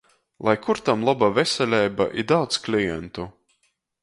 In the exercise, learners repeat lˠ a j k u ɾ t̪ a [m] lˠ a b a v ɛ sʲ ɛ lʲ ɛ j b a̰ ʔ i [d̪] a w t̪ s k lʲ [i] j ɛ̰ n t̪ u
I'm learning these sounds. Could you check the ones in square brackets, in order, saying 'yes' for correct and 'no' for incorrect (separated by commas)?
yes, yes, yes